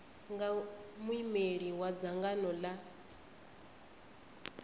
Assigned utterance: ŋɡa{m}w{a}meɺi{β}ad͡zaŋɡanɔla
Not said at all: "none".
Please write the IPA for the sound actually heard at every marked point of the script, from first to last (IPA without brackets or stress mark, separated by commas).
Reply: m, i, w